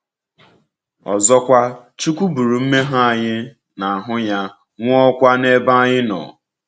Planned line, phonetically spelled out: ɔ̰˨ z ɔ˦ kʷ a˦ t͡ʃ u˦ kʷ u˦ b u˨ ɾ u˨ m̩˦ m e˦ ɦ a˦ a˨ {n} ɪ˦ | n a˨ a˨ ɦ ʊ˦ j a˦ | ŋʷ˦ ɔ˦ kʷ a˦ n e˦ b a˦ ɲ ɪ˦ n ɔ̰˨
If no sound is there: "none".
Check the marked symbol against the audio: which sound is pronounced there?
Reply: ɲ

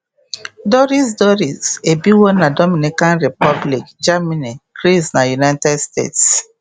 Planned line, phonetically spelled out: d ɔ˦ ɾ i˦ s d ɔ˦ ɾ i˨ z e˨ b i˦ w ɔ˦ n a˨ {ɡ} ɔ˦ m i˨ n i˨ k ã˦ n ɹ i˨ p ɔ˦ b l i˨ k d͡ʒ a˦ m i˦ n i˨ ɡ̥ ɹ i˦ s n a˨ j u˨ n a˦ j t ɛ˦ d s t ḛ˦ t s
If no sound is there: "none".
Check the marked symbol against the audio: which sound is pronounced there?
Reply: d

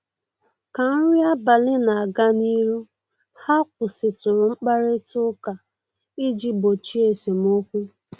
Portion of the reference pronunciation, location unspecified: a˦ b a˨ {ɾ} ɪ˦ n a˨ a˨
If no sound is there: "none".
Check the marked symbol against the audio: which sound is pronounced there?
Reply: l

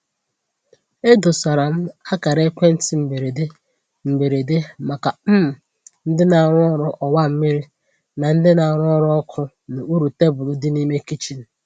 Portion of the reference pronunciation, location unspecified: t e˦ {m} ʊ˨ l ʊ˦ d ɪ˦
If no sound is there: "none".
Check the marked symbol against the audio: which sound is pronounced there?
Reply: b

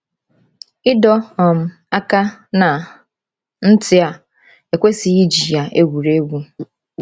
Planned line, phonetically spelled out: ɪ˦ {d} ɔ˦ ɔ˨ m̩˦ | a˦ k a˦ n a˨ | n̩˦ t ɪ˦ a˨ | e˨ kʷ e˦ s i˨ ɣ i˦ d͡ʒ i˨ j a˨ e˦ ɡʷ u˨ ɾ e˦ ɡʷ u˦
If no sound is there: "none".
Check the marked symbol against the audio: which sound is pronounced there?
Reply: d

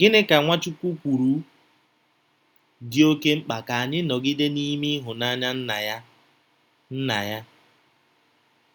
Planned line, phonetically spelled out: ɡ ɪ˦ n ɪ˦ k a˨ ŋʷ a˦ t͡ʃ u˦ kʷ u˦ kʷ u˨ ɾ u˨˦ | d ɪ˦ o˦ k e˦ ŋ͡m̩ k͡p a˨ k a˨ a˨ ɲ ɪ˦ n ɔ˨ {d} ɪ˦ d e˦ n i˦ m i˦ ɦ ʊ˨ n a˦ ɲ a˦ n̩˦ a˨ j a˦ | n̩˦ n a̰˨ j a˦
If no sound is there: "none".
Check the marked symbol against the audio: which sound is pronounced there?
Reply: ɡ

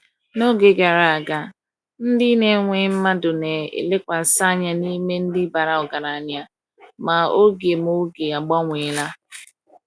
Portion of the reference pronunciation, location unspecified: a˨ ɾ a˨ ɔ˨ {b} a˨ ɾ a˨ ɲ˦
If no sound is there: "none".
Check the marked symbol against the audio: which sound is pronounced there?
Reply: ɡ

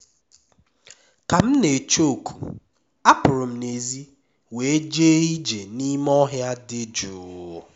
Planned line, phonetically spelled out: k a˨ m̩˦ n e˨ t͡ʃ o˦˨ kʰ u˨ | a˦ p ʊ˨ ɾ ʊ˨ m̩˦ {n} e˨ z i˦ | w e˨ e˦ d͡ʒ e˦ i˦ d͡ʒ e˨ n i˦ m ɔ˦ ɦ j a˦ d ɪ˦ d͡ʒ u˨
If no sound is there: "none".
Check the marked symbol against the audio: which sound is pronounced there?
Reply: n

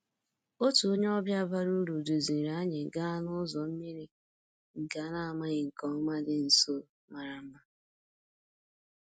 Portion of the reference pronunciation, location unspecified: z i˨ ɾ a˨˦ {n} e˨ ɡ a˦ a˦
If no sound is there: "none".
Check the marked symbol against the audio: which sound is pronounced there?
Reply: ɲ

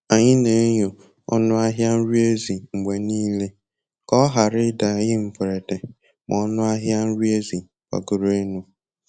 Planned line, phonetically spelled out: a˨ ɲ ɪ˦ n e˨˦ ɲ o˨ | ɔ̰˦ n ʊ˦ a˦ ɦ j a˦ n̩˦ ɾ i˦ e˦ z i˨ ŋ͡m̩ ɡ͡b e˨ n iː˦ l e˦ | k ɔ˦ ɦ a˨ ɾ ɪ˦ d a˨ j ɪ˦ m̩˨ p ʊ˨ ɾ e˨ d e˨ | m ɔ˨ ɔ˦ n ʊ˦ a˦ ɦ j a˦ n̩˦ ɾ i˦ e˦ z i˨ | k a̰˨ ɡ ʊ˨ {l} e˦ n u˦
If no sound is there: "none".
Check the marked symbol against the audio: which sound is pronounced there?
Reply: ɾ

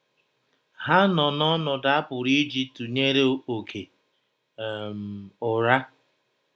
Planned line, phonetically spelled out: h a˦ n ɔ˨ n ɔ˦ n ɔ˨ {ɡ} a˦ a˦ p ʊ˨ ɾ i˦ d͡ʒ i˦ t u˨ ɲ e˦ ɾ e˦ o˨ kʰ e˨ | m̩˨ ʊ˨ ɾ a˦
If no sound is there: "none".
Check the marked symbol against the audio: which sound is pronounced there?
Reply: d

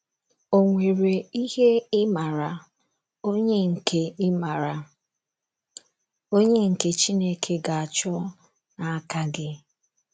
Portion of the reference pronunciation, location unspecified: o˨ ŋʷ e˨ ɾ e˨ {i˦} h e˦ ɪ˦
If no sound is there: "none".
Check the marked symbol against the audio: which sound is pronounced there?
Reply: i˦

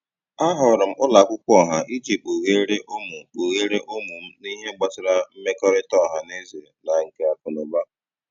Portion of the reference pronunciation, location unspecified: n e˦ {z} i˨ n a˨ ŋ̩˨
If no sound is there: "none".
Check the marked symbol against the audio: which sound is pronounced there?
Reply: z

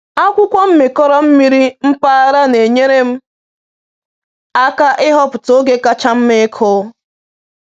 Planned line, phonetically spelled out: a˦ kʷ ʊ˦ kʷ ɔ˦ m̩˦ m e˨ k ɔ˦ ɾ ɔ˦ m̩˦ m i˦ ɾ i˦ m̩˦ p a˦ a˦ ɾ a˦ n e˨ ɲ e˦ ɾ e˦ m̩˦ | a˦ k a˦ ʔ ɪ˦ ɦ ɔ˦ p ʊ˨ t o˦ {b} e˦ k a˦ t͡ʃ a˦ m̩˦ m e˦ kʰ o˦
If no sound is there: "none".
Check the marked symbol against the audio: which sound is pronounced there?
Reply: ɡ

